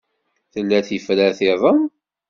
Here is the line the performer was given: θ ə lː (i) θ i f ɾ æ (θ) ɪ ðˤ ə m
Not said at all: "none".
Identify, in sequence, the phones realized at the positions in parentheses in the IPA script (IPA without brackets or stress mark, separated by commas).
æ, θ